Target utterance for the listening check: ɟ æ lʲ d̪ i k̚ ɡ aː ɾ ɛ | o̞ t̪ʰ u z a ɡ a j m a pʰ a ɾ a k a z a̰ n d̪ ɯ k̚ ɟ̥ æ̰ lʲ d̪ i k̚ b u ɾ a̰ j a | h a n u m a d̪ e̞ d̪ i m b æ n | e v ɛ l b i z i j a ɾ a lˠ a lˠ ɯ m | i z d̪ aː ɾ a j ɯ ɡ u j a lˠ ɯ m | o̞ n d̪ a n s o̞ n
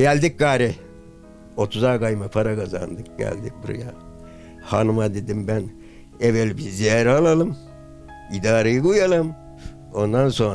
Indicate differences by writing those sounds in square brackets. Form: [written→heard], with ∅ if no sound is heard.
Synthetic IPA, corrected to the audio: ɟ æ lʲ d̪ i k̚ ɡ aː ɾ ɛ | o̞ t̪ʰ u z a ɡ a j m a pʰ a ɾ a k a z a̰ n d̪ ɯ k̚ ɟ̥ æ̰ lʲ d̪ i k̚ b u ɾ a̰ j a | h a n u m a d̪ e̞ d̪ i m b æ n | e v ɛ l b i z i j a ɾ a lˠ a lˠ ɯ m | i [z→∅] d̪ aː ɾ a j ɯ ɡ u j a lˠ ɯ m | o̞ n d̪ a n s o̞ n